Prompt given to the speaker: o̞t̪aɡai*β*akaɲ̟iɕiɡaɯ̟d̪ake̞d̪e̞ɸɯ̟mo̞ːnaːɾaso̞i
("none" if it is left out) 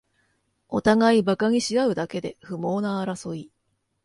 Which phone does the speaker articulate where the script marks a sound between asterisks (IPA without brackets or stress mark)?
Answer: b